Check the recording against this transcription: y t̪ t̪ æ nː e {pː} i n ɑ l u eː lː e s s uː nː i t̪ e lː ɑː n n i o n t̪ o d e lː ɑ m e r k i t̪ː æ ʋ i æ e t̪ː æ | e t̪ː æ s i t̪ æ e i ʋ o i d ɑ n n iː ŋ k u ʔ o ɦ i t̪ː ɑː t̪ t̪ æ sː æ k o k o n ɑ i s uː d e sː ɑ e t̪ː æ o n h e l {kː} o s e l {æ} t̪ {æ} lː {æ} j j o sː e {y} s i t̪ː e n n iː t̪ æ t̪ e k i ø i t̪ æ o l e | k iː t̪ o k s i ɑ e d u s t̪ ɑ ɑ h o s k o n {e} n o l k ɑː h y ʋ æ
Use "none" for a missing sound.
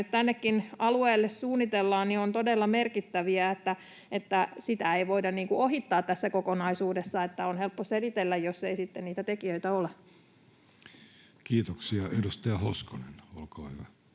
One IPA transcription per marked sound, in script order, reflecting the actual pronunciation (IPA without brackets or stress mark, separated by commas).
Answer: kː, pː, i, e, æ, i, e